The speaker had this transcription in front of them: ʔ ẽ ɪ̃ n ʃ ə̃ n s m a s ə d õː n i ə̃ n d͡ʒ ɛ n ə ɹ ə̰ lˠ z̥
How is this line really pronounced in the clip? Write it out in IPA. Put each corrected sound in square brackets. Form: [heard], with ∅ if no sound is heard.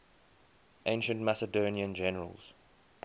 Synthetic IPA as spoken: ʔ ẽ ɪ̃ n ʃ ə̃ n [t] m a s ə d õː n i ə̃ n d͡ʒ ɛ n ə ɹ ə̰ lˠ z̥